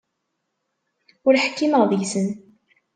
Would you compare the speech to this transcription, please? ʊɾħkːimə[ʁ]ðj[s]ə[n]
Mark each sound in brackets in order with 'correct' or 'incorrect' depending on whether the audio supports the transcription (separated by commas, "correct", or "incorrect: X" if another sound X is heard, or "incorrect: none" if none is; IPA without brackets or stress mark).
correct, correct, correct